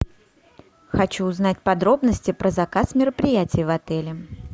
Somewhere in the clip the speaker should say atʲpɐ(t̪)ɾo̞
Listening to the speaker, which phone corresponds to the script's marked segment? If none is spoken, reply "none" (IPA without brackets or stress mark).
d̪